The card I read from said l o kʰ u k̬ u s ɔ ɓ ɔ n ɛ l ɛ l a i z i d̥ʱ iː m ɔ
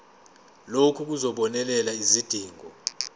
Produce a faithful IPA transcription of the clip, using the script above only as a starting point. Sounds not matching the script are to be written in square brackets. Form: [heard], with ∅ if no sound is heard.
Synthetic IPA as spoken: l o kʰ u k̬ u [z] ɔ ɓ ɔ n ɛ l ɛ l a i z i d̥ʱ iː [ŋ] ɔ